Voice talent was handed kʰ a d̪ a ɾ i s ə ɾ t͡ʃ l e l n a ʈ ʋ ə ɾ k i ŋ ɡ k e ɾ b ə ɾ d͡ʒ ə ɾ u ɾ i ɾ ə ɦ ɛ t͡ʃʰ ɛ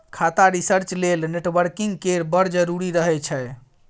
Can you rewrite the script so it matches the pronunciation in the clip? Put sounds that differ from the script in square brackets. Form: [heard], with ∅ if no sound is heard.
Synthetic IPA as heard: kʰ a [t̪] a ɾ i s ə ɾ t͡ʃ l e l n [e] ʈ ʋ ə ɾ k i ŋ ɡ k e ɾ b ə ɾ d͡ʒ ə ɾ u ɾ i ɾ ə ɦ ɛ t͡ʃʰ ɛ